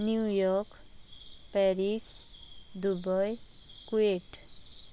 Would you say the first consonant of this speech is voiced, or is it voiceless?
voiced